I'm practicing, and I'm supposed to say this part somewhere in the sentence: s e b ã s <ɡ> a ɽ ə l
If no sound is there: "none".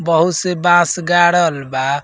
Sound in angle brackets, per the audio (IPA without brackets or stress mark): ɡ